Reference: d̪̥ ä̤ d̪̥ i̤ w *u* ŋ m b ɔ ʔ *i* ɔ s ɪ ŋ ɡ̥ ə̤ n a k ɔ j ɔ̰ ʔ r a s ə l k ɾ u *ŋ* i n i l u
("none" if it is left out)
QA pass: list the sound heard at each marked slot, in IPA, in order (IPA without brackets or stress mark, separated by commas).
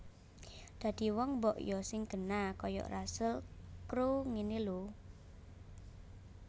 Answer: ɔ, j, ŋ